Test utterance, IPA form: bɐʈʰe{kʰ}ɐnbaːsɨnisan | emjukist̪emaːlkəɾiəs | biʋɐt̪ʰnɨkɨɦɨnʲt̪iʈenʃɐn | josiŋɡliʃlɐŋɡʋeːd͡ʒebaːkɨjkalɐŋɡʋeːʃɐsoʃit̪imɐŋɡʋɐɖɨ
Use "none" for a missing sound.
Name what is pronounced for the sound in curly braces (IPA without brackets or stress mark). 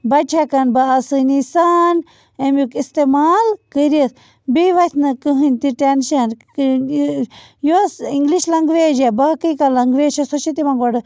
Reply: k